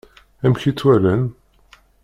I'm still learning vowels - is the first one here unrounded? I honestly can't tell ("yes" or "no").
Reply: yes